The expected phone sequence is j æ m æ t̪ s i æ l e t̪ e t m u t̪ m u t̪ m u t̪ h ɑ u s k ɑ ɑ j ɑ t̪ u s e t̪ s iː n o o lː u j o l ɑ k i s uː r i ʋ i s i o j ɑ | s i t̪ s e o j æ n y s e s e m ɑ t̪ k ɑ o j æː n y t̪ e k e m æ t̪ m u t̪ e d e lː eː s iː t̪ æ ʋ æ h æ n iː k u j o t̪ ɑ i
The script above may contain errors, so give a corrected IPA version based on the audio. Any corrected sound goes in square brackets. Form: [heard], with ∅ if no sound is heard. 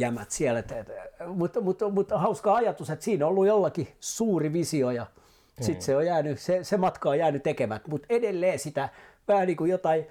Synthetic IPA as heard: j æ m æ t̪ s i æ l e t̪ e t m u t̪ m u t̪ m u t̪ h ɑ u s k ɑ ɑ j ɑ t̪ u s e t̪ s iː n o o lː u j o [lː] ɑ k i s uː r i ʋ i s i o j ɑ | s i t̪ s e o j [æː] n y s e s e m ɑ t̪ k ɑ o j æː n y t̪ e k e m æ t̪ m u t̪ e d e lː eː s [i] t̪ æ ʋ æ h æ n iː k u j o t̪ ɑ i